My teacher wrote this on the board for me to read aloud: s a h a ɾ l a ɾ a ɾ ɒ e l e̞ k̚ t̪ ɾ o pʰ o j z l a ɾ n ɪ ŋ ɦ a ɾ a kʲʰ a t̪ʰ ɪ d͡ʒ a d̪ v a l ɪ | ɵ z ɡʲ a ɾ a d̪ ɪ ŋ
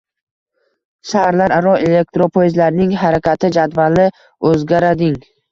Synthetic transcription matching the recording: ʃ a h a ɾ l a ɾ a ɾ ɒ e l e̞ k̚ t̪ ɾ o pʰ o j z l a ɾ n ɪ ŋ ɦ a ɾ a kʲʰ a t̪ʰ ɪ d͡ʒ a d̪ v a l ɪ | ɵ z ɡʲ a ɾ a d̪ ɪ ŋ